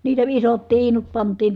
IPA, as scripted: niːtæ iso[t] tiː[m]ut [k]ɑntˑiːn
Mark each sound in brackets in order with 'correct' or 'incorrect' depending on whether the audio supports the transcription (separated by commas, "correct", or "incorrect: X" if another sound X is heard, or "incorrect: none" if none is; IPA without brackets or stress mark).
correct, incorrect: n, incorrect: p